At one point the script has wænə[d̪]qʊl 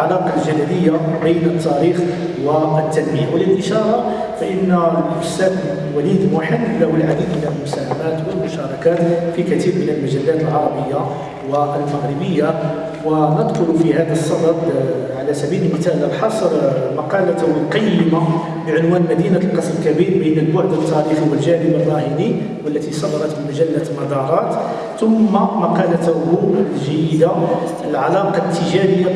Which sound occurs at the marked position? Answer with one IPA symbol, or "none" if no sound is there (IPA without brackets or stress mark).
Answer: d̪